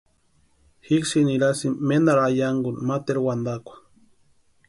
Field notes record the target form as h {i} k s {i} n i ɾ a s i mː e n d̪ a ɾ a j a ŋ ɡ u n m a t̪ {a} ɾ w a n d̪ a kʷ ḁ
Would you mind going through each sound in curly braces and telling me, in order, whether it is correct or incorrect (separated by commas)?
correct, correct, incorrect